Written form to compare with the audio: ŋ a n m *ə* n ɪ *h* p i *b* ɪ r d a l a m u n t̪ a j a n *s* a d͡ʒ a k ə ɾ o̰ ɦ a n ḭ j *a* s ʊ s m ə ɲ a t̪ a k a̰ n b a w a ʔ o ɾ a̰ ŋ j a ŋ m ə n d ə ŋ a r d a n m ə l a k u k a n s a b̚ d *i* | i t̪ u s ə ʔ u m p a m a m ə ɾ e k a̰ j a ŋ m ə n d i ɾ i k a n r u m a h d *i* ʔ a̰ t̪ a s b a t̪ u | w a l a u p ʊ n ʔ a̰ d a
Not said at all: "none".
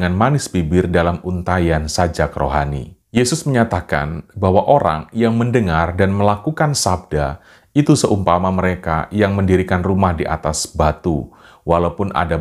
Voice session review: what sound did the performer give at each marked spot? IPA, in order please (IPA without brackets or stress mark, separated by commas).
a, s, b, s, e, a, i